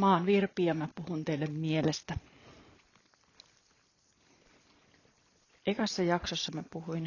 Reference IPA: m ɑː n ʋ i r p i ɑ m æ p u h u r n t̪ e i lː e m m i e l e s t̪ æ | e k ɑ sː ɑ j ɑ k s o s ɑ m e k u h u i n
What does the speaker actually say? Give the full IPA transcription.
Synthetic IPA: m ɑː n ʋ i r p i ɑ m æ p u h u n t̪ e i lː e m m i e l e s t̪ æ | e k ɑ sː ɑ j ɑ k s o sː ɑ m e p u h u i n